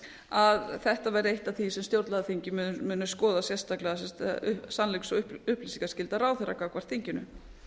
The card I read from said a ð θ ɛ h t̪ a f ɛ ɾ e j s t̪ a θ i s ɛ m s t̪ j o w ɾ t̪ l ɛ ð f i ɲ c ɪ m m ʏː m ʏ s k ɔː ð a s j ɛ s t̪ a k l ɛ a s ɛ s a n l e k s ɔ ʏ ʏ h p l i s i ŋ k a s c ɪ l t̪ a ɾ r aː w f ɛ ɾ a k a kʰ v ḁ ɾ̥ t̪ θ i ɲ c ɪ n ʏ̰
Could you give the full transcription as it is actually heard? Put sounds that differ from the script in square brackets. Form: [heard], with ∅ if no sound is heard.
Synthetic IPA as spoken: a ð θ ɛ h t̪ a [v] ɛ ɾ e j [h] t̪ a θ i s ɛ m s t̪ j o w ɾ t̪ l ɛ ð [θ] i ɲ c ɪ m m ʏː [n] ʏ s k ɔː ð a s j ɛ s t̪ a k l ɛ a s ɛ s a n l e k s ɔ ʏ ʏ h p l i s i ŋ k a s c ɪ l t̪ a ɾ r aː w [θ] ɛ ɾ a k a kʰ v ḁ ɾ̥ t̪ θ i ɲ c ɪ n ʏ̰